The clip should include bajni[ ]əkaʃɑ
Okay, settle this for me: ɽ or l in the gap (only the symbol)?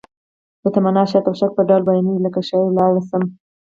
l